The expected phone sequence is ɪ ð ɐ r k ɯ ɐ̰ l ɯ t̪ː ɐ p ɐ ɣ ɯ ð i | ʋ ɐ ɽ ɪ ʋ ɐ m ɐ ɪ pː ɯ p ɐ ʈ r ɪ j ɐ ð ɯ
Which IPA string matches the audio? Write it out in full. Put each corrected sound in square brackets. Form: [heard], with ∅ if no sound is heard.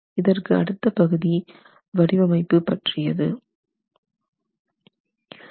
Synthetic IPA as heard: ɪ ð ɐ r k ɯ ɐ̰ [ɽ] ɯ t̪ː ɐ p ɐ ɣ ɯ ð i | ʋ ɐ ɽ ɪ ʋ ɐ m ɐ ɪ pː ɯ p ɐ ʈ r ɪ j ɐ ð ɯ